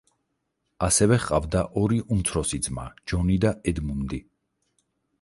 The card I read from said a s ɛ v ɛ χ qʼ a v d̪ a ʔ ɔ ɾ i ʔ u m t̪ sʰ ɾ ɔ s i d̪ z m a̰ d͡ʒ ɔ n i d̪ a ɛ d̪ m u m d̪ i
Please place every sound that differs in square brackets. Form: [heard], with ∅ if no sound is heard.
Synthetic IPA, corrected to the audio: a s ɛ v ɛ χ qʼ a v d̪ a ʔ ɔ ɾ i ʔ u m t̪ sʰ ɾ ɔ s i d̪ z m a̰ d͡ʒ ɔ n i d̪ a ɛ d̪ m u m d̪ i